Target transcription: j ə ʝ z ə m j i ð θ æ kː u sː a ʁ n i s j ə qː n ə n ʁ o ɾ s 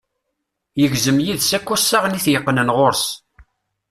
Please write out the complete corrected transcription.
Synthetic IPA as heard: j ə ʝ z ə m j i ð s æ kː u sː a ʁ n i θ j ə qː n ə n ʁ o ɾ s